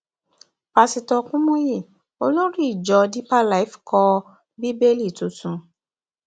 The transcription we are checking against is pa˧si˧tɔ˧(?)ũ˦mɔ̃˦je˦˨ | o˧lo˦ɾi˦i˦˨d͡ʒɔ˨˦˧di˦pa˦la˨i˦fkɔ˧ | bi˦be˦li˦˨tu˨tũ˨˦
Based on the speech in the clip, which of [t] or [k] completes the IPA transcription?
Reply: k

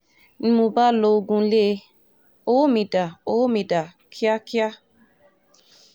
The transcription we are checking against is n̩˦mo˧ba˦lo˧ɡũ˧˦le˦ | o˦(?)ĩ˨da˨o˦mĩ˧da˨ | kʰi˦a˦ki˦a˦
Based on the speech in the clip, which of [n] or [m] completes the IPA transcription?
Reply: m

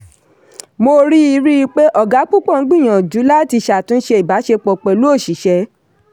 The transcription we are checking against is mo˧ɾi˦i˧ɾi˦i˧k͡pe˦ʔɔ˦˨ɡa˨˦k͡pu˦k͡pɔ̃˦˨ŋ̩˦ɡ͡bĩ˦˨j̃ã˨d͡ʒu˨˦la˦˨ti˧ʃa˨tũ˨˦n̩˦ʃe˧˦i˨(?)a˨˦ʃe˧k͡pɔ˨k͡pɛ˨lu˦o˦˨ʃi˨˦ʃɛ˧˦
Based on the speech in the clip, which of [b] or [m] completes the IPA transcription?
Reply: b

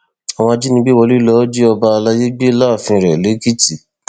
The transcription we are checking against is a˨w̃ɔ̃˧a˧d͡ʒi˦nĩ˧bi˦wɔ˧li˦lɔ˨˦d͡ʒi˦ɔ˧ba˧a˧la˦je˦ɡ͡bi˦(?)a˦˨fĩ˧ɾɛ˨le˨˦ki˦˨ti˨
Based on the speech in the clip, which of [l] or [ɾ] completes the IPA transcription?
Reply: l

